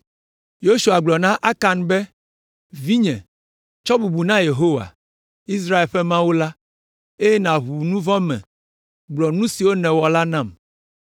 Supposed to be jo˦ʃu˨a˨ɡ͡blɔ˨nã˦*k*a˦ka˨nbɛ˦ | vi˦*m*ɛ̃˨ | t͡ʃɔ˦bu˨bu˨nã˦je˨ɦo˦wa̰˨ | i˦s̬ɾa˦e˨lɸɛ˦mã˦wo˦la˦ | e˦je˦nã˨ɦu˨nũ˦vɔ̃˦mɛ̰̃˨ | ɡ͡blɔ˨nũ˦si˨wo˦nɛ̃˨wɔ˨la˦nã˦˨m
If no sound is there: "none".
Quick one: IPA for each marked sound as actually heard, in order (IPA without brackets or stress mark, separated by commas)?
ʔ, ɲ